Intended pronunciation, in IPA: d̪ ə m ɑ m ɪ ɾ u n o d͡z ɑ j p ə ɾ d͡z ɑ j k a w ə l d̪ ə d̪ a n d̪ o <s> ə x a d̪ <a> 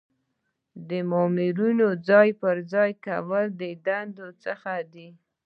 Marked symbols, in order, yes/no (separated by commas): no, no